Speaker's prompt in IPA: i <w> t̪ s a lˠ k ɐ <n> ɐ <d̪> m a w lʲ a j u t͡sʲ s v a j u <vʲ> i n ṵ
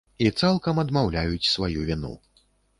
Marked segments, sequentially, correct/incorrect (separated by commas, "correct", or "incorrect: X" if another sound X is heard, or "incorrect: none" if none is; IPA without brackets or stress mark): incorrect: none, incorrect: m, correct, correct